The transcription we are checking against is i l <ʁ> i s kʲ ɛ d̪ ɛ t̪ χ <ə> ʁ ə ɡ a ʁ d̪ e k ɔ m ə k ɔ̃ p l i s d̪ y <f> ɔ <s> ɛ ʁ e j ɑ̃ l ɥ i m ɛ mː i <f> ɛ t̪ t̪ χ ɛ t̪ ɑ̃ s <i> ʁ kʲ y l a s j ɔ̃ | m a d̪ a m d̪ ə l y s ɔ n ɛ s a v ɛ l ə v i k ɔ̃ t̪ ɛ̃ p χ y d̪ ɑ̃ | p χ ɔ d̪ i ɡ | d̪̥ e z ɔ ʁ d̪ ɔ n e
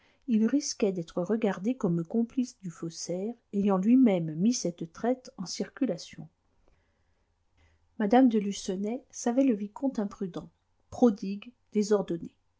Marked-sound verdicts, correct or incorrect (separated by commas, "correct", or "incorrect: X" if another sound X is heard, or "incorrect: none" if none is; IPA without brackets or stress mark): correct, correct, correct, correct, incorrect: s, correct